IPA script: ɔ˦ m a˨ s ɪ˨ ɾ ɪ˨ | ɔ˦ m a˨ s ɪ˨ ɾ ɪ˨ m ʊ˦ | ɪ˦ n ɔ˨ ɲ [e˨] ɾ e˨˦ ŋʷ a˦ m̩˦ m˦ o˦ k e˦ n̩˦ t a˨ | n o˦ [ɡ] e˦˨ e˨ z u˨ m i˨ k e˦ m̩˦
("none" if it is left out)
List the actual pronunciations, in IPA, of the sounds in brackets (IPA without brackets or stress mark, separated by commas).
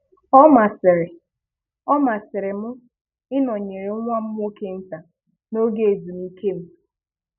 e˨, ɡ